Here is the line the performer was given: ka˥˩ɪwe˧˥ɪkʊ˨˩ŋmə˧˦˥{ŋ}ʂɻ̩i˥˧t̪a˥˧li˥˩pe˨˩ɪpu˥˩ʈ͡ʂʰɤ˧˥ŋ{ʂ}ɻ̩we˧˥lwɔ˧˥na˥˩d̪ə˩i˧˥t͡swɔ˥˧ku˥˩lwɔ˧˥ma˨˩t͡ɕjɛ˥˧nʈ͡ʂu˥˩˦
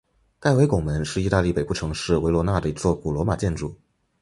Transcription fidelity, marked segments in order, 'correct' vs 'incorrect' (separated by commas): incorrect, correct